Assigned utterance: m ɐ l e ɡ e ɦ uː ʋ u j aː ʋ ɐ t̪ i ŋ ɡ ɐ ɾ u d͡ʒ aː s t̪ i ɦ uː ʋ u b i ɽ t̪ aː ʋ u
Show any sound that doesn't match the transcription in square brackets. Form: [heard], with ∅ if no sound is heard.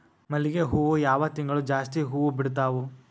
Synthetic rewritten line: m ɐ l [i] ɡ e ɦ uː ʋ u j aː ʋ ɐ t̪ i ŋ ɡ ɐ [ɭ] u d͡ʒ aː s t̪ i ɦ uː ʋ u b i ɽ t̪ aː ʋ u